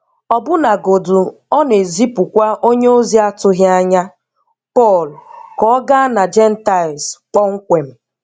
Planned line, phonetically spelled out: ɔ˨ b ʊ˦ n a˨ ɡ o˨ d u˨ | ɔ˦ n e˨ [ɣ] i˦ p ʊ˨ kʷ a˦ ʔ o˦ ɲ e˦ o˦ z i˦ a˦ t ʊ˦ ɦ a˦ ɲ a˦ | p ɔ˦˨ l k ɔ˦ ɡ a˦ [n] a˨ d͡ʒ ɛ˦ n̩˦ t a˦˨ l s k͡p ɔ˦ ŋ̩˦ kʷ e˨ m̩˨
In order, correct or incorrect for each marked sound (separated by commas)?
incorrect, correct